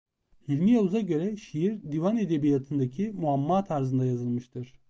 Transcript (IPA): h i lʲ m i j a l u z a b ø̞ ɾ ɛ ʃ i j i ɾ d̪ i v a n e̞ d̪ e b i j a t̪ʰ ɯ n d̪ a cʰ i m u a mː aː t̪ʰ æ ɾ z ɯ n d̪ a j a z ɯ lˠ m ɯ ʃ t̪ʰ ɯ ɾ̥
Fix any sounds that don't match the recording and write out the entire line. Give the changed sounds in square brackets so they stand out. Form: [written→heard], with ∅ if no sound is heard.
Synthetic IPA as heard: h i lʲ m i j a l u z a [b→ɟ] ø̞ ɾ ɛ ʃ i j i ɾ d̪ i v a n e̞ d̪ e b i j a t̪ʰ ɯ n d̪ a cʰ i m u a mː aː t̪ʰ [æ→a] ɾ z ɯ n d̪ a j a z ɯ lˠ m ɯ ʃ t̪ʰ ɯ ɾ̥

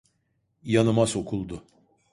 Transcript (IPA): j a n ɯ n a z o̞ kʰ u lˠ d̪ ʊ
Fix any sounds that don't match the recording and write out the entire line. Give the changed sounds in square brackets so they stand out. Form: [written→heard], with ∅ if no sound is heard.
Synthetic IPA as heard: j a n ɯ [n→m] a [z→s] o̞ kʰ u lˠ d̪ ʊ

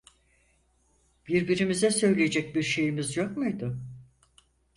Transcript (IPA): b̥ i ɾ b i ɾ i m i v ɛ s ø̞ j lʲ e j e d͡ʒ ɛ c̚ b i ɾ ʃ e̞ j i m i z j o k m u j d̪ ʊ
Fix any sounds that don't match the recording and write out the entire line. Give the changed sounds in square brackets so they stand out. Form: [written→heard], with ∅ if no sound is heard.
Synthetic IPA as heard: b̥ i ɾ b i ɾ i m i [v→z] ɛ s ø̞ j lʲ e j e d͡ʒ ɛ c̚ b i ɾ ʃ e̞ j i m i z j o k m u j d̪ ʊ

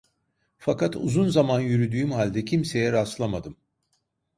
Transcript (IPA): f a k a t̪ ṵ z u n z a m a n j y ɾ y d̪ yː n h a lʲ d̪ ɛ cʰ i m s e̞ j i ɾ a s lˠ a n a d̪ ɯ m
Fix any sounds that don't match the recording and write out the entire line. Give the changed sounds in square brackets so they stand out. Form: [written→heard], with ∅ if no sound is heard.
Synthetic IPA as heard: f a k a t̪ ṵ z u n z a m a n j y ɾ y d̪ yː [n→m] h a lʲ d̪ ɛ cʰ i m s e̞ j [i→ɛ] ɾ a s lˠ a [n→m] a d̪ ɯ m

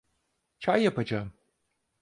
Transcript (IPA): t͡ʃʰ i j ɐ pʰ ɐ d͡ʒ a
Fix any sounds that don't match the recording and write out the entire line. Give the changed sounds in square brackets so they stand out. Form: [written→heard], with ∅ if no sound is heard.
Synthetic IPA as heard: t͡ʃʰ [i→a] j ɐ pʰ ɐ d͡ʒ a

